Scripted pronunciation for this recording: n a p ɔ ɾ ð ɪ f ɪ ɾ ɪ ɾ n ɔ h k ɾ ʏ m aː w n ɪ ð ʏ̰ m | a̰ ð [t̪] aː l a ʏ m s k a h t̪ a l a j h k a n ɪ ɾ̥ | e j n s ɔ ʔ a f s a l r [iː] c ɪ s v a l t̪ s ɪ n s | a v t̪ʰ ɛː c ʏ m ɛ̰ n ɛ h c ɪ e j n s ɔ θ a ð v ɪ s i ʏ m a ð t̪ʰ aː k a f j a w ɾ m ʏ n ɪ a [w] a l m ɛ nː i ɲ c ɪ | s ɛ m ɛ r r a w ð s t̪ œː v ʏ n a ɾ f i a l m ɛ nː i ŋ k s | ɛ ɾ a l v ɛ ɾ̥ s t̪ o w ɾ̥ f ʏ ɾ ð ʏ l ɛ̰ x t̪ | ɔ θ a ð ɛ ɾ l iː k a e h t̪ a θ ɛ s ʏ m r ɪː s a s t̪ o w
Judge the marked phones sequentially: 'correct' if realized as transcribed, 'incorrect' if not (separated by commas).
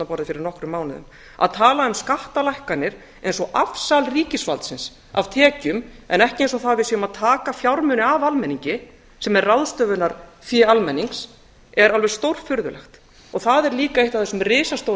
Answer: incorrect, correct, incorrect